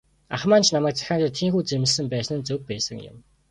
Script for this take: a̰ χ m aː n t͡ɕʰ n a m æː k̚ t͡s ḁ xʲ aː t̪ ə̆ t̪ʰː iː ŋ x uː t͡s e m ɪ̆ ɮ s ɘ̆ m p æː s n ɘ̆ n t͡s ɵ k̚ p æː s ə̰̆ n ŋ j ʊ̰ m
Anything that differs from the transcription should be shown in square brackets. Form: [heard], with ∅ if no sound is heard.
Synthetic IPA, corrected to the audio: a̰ χ m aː n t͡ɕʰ n a m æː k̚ t͡s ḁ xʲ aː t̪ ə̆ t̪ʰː iː ŋ x uː t͡s e m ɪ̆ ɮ s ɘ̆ m p æː s n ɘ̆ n t͡s ɵ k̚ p æː s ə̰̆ [∅] ŋ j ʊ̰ m

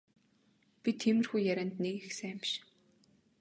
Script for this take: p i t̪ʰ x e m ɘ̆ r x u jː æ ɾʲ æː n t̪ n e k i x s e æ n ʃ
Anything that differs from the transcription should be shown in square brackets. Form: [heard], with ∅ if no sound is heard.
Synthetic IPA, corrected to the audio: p i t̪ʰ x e m ɘ̆ r x u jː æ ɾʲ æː n t̪ n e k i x s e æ [m] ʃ

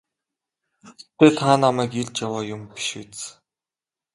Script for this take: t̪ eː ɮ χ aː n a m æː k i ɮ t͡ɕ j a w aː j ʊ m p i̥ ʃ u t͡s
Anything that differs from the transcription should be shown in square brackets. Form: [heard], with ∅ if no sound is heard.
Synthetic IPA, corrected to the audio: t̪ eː ɮ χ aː n a m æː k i ɮ t͡ɕ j a w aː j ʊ m p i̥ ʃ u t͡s

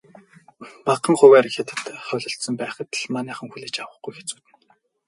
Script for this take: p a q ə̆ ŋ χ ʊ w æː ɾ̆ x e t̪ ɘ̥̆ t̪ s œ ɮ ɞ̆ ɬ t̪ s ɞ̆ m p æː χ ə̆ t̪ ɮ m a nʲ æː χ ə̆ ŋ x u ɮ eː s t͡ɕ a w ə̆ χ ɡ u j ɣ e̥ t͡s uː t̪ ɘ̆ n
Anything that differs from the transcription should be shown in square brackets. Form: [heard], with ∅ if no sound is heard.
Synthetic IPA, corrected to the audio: p a q ə̆ ŋ χ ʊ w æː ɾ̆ x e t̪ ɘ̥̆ t̪ [χ] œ ɮ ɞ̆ ɬ t̪ s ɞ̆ m p æː χ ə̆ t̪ ɮ m a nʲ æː χ ə̆ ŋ x u ɮ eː [∅] t͡ɕ a w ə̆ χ ɡ u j [x] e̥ t͡s uː t̪ ɘ̆ n

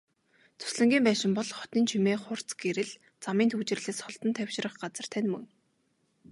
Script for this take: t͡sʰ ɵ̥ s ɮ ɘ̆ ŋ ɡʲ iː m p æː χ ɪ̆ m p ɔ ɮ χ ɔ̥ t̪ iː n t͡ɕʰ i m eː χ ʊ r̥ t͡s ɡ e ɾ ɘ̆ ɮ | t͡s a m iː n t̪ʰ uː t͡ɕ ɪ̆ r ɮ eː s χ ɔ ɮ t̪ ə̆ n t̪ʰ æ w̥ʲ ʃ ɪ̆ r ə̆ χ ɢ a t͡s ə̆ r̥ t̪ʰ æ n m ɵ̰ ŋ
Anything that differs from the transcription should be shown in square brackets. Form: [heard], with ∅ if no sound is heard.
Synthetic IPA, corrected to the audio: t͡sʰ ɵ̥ s ɮ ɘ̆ ŋ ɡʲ iː m p æː [ʃ] ɪ̆ m p ɔ ɮ χ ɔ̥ t̪ iː n t͡ɕʰ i m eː χ ʊ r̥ t͡s ɡ e ɾ ɘ̆ ɮ | t͡s a m iː n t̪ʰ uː t͡ɕ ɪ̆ r ɮ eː s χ ɔ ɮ t̪ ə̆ n t̪ʰ æ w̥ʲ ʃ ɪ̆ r ə̆ χ ɢ a t͡s ə̆ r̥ t̪ʰ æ n m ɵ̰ ŋ

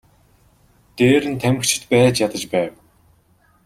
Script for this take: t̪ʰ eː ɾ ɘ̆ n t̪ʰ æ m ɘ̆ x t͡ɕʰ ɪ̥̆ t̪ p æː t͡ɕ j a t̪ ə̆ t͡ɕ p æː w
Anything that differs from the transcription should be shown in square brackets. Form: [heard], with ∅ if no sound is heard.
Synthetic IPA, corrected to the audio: [t̪] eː ɾ ɘ̆ n t̪ʰ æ m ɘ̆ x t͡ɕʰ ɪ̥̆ t̪ p æː t͡ɕ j a t̪ ə̆ t͡ɕ p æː w

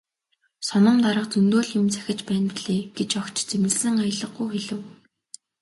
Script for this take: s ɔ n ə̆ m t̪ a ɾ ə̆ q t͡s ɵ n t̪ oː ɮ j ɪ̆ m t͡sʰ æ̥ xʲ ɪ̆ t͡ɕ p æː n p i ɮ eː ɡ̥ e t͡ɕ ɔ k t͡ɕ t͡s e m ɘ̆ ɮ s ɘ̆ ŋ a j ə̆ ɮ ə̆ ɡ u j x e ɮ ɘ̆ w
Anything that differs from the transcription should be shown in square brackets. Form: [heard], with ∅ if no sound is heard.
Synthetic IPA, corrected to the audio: s ɔ n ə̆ m t̪ a ɾ ə̆ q t͡s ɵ n t̪ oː ɮ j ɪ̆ m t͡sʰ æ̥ xʲ ɪ̆ t͡ɕ p æː n p i ɮ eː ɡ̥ e t͡ɕ ɔ k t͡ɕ t͡s e m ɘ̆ ɮ s ɘ̆ ŋ a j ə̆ ɮ ə̆ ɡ u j x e ɮ ɘ̆ w

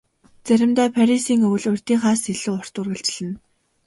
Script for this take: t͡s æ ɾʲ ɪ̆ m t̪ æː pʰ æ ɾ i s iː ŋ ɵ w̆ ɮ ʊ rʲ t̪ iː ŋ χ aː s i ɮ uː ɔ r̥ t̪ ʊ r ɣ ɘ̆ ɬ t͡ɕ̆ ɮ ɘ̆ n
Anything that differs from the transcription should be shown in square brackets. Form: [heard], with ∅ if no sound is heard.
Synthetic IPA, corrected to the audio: t͡s æ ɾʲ ɪ̆ m t̪ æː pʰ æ ɾ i s iː ŋ ɵ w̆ ɮ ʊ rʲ t̪ iː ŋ χ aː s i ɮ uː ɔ r̥ t̪ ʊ r ɣ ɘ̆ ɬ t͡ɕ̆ ɮ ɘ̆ n

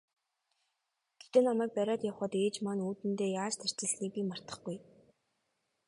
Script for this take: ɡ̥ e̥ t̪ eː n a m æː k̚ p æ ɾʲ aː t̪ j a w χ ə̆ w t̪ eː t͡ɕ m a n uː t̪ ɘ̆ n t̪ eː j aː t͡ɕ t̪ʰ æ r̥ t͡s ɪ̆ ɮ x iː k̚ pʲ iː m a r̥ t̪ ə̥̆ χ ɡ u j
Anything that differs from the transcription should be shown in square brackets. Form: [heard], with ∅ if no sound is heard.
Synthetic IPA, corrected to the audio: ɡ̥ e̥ t̪ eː n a m æː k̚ p æ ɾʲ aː t̪ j a w χ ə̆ [∅] t̪ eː t͡ɕ m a n uː t̪ ɘ̆ n t̪ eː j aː t͡ɕ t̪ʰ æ r̥ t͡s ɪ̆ ɮ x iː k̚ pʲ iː m a r̥ t̪ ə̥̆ χ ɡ u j

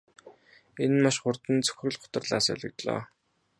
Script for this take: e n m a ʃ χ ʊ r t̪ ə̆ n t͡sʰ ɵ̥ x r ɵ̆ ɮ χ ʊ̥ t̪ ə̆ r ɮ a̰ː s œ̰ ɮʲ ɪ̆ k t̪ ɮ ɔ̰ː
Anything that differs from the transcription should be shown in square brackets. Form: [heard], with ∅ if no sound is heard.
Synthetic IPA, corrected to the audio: e n m a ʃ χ ʊ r t̪ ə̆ n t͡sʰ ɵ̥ x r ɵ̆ ɮ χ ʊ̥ t̪ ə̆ r ɮ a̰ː s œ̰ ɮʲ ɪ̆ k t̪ ɮ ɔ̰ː

